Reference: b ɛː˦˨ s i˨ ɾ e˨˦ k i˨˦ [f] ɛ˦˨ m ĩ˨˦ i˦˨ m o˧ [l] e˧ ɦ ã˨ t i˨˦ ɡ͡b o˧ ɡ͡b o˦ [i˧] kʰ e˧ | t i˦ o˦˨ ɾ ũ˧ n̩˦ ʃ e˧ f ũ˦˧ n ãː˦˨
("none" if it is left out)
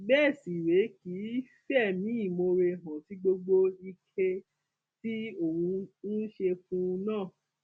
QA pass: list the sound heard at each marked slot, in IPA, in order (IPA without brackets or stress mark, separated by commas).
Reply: f, ɾ, i˧